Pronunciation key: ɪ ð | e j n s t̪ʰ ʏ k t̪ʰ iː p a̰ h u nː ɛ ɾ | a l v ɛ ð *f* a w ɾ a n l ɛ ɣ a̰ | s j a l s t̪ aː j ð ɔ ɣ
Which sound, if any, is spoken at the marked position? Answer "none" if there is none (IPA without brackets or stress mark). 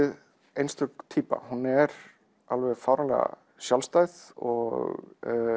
f